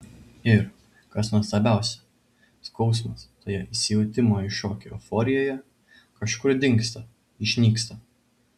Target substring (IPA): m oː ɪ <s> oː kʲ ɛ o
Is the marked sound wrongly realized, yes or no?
yes